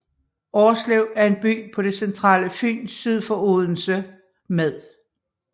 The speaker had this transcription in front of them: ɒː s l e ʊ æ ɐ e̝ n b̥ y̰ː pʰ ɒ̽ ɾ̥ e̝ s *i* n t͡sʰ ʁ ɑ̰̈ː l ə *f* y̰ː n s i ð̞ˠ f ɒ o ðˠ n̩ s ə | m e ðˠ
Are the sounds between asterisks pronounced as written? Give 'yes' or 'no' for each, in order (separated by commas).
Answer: no, yes